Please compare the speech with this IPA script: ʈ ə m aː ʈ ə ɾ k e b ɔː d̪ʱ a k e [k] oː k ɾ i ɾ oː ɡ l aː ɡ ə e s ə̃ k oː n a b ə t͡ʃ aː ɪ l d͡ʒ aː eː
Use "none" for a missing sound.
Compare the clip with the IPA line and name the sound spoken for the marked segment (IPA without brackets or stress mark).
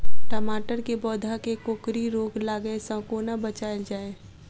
k